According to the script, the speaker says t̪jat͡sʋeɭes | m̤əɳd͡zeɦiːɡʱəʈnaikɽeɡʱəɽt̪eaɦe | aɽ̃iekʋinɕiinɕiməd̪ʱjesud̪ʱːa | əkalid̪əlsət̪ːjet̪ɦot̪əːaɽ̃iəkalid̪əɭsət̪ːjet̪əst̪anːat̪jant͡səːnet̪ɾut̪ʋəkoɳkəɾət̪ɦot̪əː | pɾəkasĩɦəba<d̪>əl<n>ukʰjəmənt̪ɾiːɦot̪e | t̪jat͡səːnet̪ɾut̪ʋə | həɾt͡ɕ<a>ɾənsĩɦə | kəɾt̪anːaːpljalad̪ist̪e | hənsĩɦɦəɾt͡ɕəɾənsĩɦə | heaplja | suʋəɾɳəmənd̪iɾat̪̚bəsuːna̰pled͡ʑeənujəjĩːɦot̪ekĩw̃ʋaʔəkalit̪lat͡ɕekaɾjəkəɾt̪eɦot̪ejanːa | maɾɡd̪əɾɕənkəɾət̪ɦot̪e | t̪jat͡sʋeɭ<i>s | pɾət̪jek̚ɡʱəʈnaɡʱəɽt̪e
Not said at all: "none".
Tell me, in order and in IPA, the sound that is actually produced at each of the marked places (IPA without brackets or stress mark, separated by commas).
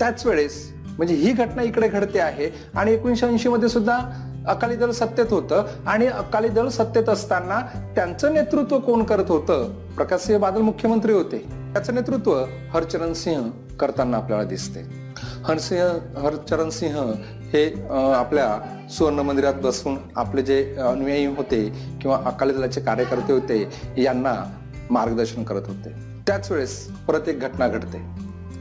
d̪, m, ə, e